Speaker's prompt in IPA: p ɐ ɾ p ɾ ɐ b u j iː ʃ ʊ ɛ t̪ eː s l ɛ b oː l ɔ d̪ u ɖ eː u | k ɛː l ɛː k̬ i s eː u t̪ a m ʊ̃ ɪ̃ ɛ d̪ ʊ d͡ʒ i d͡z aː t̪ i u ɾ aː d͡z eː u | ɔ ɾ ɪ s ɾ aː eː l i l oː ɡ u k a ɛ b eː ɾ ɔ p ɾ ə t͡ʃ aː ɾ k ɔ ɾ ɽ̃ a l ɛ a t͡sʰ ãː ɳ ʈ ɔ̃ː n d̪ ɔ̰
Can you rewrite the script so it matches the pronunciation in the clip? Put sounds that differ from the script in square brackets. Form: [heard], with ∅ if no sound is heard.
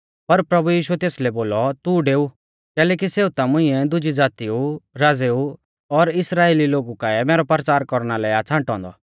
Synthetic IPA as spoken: p ɐ ɾ p ɾ ɐ b u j iː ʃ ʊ ɛ t̪ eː s l ɛ b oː l ɔ [t̪] u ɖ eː u | k ɛː l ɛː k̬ i s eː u t̪ a m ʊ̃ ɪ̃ ɛ d̪ ʊ d͡ʒ i d͡z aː t̪ i u ɾ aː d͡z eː u | ɔ ɾ ɪ s ɾ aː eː l i l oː ɡ u k a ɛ [m] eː ɾ ɔ p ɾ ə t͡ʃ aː ɾ k ɔ ɾ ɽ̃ a l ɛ a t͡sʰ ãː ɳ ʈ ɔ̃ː n d̪ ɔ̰